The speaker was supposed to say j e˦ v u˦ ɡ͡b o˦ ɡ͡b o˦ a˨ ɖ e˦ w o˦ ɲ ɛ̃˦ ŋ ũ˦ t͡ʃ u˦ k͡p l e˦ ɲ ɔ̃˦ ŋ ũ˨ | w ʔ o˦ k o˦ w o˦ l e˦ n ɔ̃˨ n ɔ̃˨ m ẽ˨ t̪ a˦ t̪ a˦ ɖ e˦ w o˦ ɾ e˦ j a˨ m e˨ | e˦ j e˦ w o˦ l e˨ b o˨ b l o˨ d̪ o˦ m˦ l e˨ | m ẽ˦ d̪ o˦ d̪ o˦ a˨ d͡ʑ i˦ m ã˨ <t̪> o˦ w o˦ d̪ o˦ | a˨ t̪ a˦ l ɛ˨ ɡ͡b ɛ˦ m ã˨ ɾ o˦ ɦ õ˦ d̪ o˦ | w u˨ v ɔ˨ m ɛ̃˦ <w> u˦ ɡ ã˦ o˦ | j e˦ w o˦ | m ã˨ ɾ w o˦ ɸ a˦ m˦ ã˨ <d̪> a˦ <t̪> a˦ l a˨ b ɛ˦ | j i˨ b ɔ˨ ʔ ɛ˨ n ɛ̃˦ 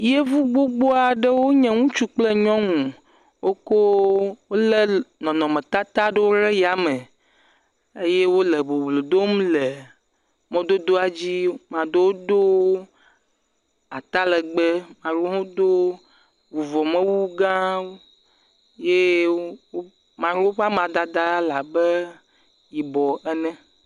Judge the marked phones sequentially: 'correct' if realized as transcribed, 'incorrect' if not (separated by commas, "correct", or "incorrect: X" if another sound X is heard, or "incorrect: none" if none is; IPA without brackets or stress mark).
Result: incorrect: d̪, correct, correct, incorrect: d̪